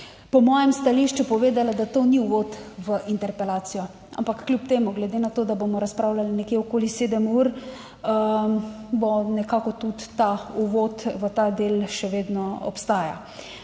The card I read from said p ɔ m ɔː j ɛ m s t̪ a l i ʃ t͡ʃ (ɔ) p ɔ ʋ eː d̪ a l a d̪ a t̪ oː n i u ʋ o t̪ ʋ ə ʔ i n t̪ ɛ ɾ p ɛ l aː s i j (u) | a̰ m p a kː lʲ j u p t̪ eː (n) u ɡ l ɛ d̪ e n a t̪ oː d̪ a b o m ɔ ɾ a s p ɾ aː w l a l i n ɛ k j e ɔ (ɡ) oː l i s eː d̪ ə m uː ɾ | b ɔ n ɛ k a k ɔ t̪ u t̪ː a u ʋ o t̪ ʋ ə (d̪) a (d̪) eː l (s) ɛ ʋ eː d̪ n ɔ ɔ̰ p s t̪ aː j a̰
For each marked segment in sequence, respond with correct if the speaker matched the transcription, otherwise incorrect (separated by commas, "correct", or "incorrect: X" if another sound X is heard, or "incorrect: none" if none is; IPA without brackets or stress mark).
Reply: incorrect: u, incorrect: ɔ, incorrect: m, incorrect: k, incorrect: t̪, correct, incorrect: ʃ